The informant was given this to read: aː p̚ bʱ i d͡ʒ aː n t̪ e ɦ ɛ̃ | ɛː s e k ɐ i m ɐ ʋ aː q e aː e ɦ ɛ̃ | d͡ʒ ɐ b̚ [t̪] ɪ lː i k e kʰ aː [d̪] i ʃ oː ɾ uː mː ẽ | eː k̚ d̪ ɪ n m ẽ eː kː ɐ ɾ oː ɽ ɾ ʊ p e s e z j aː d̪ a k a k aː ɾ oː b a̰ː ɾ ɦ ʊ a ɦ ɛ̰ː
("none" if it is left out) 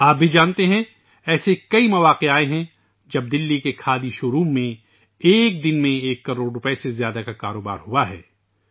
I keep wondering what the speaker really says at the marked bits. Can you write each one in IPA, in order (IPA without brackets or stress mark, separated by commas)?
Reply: d̪, d̪